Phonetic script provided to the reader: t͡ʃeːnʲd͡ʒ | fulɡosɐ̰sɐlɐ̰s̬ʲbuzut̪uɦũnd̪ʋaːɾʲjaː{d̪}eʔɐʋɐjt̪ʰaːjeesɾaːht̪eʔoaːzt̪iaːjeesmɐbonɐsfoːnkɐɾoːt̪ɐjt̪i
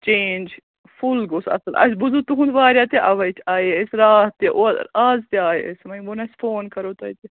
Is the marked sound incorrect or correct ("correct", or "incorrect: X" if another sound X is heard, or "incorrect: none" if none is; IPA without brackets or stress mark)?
incorrect: t̪